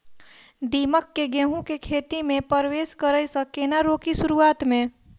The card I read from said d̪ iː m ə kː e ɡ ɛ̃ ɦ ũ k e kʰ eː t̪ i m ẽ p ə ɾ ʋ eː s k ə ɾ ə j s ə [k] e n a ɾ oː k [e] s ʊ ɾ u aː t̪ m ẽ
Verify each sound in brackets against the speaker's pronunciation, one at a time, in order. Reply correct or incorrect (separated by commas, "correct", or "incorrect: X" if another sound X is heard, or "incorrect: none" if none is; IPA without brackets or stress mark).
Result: correct, incorrect: i